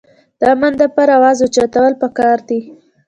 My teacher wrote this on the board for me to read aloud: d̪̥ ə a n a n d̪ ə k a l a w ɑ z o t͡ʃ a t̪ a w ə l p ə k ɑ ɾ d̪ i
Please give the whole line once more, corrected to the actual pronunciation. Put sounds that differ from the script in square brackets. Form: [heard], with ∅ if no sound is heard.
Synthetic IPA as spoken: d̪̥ ə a [m] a n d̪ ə [p] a [ɾ] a w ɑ z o t͡ʃ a t̪ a w ə l p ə k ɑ ɾ d̪ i